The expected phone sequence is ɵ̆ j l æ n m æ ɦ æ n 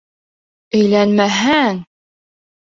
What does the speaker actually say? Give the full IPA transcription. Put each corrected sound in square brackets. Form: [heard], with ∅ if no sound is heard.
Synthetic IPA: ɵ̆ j l æ n m æ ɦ æ [ŋ]